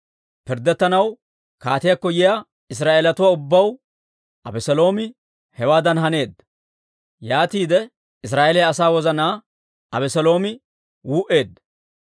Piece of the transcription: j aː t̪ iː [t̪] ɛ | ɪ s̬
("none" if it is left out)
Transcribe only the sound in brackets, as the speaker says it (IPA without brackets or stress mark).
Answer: d̪